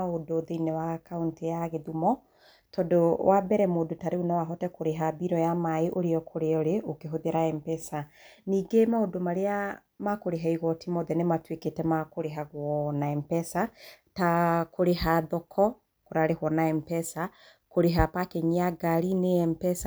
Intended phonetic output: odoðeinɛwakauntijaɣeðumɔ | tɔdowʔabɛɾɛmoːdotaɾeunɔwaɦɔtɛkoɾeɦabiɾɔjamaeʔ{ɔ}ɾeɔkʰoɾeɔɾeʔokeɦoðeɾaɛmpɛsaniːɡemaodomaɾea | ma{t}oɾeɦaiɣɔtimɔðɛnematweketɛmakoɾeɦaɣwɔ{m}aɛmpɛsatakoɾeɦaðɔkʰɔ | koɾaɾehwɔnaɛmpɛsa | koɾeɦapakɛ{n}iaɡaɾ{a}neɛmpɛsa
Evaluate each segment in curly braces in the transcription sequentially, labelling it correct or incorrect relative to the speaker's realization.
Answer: incorrect: o, incorrect: k, incorrect: n, incorrect: ɲ, incorrect: i

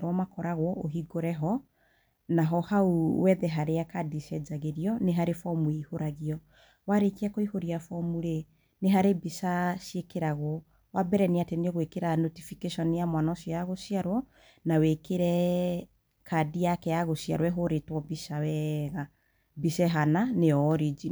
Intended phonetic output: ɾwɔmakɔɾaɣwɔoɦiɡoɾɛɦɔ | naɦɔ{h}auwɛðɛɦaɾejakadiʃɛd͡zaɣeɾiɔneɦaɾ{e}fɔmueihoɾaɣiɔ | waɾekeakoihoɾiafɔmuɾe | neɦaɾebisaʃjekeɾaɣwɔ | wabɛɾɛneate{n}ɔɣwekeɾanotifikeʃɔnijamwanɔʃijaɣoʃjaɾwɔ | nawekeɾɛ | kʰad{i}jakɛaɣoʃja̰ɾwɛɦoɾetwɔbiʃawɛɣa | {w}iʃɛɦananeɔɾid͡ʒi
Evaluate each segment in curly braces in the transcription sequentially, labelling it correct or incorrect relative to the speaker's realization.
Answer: correct, correct, correct, correct, incorrect: b

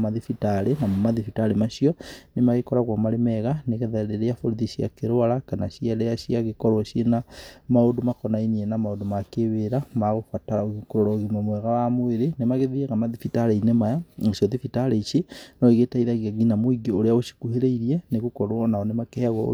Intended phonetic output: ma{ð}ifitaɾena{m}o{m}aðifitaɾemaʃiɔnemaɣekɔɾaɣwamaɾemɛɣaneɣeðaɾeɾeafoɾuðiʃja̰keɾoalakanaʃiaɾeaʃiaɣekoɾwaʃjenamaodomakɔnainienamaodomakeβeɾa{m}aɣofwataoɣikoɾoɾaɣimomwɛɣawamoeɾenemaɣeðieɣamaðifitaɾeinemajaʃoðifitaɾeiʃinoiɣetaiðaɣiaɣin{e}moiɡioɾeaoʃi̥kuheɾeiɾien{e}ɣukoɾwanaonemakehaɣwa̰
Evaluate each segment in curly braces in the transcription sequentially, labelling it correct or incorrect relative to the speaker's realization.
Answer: correct, correct, correct, correct, incorrect: a, correct

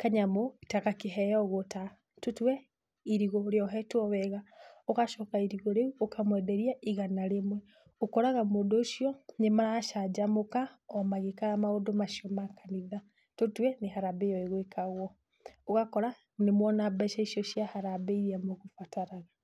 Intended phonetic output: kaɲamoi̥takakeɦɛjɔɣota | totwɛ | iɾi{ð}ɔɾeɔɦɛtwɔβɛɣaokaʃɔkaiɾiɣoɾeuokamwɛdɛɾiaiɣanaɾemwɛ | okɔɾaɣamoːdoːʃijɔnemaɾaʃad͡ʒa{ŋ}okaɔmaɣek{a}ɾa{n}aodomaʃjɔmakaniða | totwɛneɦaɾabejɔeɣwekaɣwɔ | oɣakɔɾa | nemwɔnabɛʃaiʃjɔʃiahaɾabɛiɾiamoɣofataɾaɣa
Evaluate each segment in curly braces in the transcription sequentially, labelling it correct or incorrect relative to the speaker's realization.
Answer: incorrect: ɣ, incorrect: m, correct, incorrect: m

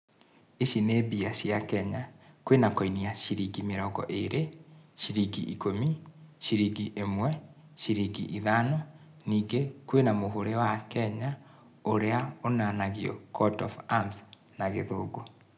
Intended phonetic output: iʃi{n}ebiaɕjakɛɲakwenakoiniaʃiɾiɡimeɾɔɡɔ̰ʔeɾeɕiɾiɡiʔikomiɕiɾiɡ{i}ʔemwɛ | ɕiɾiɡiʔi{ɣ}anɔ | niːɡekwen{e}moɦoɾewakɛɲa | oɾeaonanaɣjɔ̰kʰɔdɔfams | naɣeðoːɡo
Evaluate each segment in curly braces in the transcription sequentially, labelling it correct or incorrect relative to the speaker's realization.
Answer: correct, correct, incorrect: ð, incorrect: a

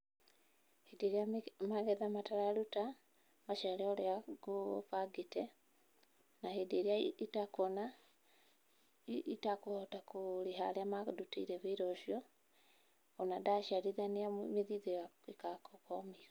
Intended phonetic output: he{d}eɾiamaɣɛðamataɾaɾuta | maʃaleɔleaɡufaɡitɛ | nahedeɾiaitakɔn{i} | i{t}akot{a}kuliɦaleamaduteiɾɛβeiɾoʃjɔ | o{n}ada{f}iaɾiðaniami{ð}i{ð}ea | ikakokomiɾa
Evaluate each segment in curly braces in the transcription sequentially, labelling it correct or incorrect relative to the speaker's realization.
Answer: correct, incorrect: a, correct, correct, correct, incorrect: ʃ, correct, correct

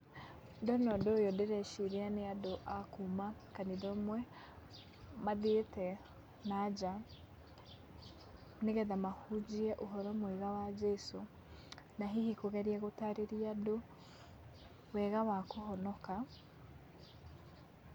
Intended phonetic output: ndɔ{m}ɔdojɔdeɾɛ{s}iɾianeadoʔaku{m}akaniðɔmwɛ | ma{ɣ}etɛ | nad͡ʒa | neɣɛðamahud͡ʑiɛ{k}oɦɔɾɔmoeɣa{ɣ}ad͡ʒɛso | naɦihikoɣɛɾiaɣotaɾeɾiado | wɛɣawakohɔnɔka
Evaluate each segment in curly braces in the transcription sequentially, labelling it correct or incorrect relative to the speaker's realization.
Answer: incorrect: n, incorrect: ʃ, correct, incorrect: ð, incorrect: ʔ, incorrect: w

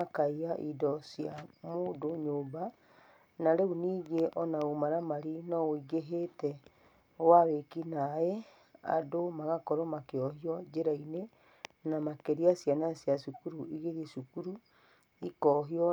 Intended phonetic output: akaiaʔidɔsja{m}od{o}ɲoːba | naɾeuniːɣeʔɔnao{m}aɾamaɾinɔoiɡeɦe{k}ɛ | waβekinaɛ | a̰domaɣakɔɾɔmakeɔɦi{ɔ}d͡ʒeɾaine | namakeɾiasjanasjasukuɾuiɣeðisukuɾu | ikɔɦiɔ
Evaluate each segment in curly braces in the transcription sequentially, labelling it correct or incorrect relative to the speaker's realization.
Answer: correct, correct, correct, incorrect: t, correct

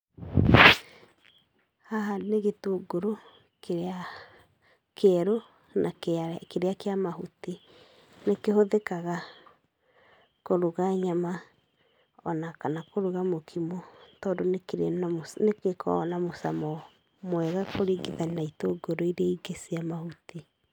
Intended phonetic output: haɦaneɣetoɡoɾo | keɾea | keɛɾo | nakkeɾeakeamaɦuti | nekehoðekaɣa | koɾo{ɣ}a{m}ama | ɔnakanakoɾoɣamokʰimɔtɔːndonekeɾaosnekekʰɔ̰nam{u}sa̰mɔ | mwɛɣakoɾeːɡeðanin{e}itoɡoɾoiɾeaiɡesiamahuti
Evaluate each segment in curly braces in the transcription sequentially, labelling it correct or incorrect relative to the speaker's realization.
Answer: correct, incorrect: ɲ, incorrect: o, incorrect: a

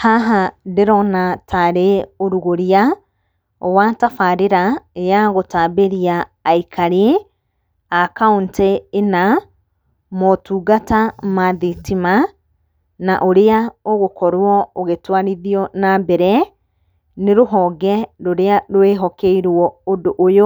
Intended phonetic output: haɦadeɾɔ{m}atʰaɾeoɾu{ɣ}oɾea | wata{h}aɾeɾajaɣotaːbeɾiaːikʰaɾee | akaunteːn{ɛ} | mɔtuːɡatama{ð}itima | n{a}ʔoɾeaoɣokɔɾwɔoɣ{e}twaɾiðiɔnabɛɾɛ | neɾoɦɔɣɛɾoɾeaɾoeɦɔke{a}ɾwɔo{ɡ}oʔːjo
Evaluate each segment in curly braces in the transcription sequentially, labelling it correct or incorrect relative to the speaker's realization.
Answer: incorrect: n, correct, incorrect: f, incorrect: a, correct, correct, correct, incorrect: i, incorrect: d

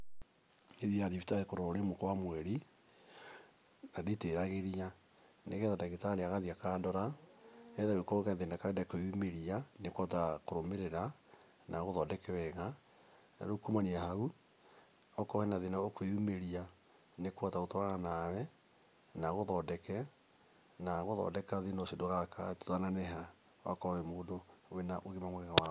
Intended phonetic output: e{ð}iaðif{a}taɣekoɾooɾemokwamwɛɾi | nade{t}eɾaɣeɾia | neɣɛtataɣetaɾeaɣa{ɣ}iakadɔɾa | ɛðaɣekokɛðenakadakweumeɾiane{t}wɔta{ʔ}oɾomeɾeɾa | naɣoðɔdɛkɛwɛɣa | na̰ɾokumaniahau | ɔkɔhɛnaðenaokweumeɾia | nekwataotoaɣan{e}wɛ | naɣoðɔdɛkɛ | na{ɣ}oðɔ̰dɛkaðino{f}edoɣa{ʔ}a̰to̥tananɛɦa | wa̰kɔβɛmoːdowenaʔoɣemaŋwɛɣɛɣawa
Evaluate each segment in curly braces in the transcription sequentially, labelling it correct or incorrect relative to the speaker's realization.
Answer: correct, incorrect: i, correct, incorrect: ð, incorrect: k, incorrect: k, incorrect: a, correct, incorrect: s, incorrect: k

